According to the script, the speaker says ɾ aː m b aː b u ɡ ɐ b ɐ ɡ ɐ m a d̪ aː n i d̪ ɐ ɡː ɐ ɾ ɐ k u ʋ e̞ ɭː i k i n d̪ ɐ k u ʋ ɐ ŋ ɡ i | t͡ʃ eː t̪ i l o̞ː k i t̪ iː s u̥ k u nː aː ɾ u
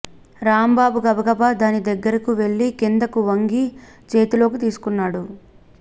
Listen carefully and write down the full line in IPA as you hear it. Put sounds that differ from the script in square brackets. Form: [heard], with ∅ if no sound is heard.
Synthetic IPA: ɾ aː m b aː b u ɡ ɐ b ɐ ɡ ɐ [b] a d̪ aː n i d̪ ɐ ɡː ɐ ɾ ɐ k u ʋ e̞ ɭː i k i n d̪ ɐ k u ʋ ɐ ŋ ɡ i | t͡ʃ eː t̪ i l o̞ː k i t̪ iː s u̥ k u nː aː [ɽ] u